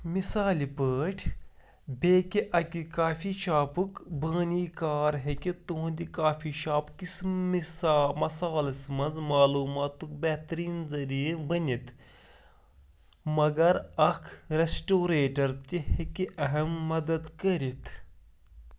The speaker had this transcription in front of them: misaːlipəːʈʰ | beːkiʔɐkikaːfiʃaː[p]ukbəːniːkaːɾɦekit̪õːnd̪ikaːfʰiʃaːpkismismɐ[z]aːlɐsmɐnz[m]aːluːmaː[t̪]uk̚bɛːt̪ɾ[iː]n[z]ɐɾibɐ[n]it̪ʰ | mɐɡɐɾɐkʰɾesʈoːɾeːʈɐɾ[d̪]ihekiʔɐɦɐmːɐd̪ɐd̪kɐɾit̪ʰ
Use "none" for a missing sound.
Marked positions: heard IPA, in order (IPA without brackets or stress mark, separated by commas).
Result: p, s, m, t̪, iː, z, n, t̪